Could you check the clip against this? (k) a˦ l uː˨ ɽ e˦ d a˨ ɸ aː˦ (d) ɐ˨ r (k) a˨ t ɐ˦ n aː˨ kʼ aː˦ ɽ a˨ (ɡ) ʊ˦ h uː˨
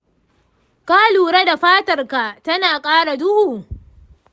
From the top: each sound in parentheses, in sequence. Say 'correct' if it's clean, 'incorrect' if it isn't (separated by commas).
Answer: correct, incorrect, correct, incorrect